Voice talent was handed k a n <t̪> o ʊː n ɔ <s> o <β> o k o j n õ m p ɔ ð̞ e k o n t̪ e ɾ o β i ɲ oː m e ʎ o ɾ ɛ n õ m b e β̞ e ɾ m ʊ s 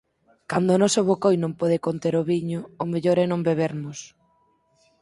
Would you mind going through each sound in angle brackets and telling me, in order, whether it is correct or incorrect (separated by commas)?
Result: incorrect, correct, correct